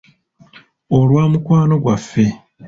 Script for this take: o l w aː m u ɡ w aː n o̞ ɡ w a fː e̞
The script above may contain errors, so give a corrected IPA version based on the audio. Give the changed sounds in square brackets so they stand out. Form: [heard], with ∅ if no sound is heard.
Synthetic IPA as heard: o l w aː m u [k] w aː n o̞ ɡ w a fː e̞